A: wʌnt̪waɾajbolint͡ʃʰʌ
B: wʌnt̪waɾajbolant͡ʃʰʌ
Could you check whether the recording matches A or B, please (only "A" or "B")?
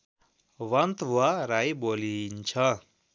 A